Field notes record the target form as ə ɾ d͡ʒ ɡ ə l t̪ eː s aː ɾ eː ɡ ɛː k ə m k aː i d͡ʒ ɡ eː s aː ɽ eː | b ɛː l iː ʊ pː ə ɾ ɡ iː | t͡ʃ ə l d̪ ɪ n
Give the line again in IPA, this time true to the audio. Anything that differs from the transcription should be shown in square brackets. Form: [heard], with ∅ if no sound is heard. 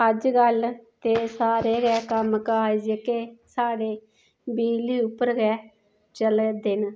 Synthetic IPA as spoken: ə [∅] d͡ʒ ɡ ə l t̪ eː s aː ɾ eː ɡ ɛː k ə m k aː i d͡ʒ [k] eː s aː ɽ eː | b [iː] l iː ʊ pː ə ɾ ɡ [ɛː] | t͡ʃ ə l d̪ ɪ n